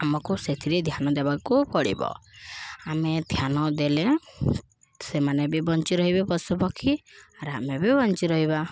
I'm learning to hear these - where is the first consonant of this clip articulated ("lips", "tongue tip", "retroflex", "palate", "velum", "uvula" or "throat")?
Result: lips